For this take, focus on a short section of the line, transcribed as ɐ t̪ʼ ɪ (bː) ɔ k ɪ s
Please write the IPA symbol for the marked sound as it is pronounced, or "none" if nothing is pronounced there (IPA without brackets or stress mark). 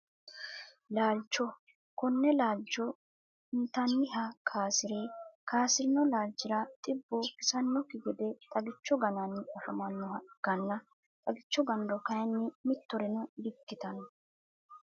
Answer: bː